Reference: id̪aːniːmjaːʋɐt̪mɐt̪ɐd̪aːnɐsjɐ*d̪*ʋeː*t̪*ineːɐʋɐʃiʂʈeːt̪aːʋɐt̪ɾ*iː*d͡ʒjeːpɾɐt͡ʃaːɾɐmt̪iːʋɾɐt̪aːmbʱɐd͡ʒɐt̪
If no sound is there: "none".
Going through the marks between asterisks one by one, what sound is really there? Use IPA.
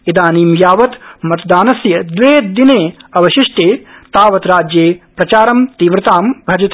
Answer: d̪, d̪, aː

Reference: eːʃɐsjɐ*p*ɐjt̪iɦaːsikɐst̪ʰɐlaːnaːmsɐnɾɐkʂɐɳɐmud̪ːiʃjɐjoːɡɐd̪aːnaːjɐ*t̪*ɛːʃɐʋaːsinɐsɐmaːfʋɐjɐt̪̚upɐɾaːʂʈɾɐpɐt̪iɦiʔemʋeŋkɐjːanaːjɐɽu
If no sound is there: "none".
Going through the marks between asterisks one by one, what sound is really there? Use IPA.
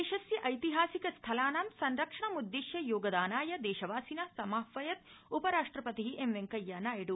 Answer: ʔ, d̪

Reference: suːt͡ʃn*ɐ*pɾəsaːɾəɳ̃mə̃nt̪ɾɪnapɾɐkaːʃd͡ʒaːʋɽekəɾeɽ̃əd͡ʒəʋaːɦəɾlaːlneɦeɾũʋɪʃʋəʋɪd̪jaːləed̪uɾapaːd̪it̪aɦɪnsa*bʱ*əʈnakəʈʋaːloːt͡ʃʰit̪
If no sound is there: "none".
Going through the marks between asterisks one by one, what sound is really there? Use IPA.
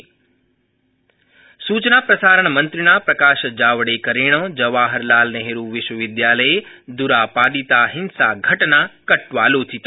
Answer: a, ɡʱ

